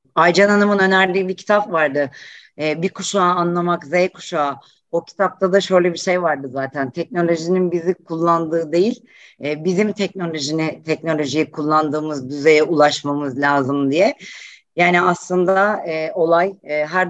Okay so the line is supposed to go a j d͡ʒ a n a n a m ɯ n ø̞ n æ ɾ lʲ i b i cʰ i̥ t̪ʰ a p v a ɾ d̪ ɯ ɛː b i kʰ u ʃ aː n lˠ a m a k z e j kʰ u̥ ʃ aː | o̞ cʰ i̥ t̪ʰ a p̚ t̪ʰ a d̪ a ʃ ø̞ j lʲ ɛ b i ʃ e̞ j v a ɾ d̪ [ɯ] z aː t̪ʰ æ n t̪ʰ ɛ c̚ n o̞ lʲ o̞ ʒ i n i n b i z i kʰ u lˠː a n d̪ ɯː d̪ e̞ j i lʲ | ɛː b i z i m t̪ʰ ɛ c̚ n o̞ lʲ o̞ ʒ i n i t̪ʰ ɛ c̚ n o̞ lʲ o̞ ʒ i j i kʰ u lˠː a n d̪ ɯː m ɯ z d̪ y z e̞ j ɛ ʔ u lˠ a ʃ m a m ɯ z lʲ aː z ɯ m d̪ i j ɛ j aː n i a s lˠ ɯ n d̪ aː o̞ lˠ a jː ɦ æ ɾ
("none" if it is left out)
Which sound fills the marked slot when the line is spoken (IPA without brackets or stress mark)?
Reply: ɯ